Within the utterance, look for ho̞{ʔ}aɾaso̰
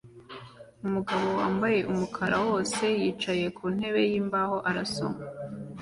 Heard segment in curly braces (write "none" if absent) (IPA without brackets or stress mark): ʔ